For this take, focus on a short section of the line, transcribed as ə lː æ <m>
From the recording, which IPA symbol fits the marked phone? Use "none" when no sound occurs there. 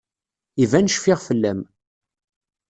m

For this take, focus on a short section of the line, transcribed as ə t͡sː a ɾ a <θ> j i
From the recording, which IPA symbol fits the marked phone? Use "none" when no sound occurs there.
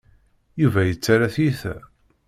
θ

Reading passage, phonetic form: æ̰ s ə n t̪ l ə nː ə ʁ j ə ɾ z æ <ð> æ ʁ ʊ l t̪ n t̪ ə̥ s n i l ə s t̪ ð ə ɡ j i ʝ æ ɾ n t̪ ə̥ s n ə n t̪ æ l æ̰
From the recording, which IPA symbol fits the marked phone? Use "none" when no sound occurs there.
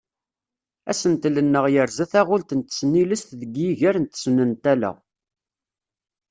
θ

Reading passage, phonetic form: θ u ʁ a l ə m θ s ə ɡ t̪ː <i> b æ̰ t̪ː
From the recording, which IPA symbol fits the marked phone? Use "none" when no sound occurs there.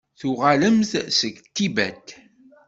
i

